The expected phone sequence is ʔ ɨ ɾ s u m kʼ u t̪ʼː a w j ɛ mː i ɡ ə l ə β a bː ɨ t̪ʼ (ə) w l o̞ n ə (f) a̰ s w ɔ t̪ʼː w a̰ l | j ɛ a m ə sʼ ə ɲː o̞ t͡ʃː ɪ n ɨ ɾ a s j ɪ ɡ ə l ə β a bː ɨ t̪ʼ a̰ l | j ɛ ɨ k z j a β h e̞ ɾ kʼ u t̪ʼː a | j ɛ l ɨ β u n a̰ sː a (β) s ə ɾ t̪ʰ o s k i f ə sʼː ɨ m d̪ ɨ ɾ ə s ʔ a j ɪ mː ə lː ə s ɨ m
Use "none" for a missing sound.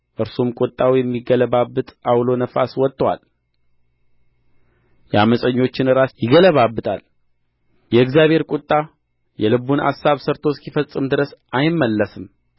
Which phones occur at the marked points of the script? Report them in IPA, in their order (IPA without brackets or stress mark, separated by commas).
a, f, β